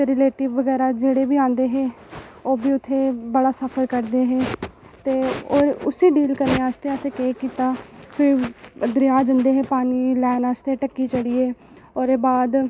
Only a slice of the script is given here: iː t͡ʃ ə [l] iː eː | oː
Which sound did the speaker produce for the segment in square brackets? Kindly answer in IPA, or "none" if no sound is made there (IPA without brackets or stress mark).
ɽ